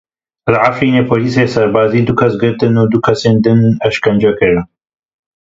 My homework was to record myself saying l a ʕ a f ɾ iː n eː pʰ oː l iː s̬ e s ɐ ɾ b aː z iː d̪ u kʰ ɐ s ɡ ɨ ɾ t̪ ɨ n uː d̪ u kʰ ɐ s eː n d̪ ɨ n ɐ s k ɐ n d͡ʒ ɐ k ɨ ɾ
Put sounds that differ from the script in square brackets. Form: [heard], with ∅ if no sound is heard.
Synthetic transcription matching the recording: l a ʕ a f ɾ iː n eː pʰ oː l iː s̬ e s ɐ ɾ b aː z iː d̪ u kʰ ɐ s ɡ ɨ ɾ t̪ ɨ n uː d̪ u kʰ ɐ s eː n d̪ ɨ n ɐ [ʃ] k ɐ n d͡ʒ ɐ k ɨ ɾ